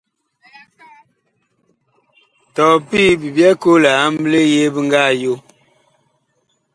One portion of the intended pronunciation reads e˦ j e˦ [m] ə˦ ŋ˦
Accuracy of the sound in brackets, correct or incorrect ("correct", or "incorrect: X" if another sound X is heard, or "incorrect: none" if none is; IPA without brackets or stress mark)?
incorrect: b